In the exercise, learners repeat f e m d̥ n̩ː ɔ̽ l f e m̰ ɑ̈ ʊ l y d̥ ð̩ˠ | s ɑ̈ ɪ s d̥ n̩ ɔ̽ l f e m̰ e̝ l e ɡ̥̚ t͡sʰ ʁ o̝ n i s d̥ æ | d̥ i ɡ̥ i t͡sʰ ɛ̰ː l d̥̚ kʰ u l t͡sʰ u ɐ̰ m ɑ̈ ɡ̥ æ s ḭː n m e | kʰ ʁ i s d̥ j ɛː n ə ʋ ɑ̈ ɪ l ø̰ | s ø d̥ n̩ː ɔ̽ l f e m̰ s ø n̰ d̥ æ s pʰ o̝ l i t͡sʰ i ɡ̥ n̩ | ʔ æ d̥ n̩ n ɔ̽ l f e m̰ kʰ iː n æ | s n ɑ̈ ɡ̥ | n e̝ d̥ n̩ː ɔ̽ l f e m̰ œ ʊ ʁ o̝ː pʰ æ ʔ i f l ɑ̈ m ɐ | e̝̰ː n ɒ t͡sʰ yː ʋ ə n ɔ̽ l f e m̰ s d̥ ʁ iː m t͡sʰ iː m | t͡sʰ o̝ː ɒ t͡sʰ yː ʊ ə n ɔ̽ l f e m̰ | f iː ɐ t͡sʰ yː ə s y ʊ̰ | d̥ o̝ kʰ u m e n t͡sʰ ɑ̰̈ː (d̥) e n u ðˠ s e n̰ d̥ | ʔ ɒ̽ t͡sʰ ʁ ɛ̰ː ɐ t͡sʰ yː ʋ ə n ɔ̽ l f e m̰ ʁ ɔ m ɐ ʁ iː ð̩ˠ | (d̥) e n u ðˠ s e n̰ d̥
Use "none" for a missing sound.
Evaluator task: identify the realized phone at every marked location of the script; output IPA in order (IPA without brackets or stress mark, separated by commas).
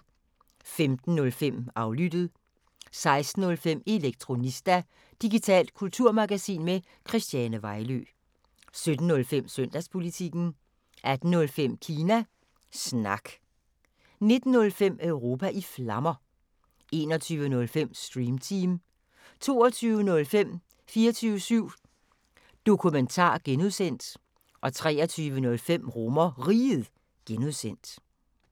ɡ̥, ɡ̥